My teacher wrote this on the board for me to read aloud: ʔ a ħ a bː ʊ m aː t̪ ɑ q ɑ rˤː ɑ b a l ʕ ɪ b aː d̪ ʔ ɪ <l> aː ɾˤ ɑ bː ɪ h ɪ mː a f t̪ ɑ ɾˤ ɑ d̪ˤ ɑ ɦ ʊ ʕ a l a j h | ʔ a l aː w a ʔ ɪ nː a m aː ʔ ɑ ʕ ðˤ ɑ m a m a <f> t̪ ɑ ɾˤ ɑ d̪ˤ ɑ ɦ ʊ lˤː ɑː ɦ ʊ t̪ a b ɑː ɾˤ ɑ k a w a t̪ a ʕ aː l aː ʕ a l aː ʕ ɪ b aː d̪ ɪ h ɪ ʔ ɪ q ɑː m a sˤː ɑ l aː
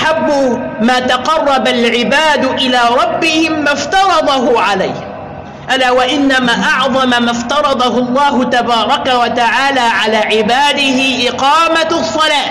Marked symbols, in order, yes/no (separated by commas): yes, yes